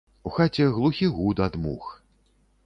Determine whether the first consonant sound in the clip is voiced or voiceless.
voiceless